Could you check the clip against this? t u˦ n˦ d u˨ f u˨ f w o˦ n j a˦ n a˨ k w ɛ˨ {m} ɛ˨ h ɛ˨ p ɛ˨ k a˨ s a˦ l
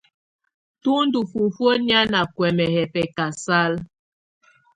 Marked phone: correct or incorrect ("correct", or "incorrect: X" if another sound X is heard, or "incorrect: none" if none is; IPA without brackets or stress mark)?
correct